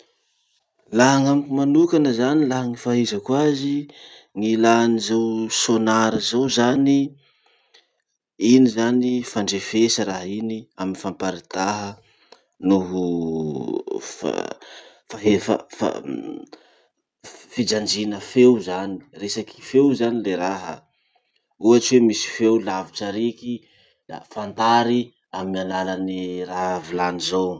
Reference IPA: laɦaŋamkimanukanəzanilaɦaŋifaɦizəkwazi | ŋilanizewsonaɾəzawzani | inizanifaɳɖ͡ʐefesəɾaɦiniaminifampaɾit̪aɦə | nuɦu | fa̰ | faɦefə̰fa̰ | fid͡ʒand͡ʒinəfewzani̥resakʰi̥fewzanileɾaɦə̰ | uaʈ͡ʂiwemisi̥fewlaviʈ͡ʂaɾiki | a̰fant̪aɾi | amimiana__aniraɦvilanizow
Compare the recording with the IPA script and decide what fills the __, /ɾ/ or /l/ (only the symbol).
l